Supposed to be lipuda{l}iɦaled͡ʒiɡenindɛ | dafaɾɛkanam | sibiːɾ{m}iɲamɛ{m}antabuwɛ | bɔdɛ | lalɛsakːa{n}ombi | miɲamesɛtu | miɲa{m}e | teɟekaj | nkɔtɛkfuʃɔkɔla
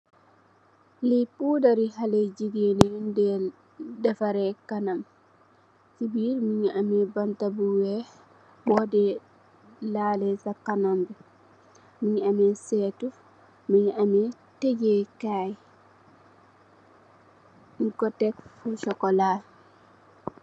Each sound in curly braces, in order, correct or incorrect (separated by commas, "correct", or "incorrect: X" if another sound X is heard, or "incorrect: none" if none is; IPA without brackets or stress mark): incorrect: ɾ, correct, incorrect: b, correct, correct